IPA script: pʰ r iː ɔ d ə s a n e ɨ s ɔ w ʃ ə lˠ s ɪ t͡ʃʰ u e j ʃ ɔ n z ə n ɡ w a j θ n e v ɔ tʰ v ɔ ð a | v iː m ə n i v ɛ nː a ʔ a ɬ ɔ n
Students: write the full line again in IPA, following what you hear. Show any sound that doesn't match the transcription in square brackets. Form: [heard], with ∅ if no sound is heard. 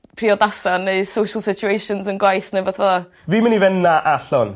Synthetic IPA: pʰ r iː ɔ d [a] s a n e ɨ s [o] w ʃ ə lˠ s ɪ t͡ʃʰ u e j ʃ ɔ n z ə n ɡ w a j θ n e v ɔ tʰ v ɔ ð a | v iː m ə n i v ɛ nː a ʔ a ɬ ɔ n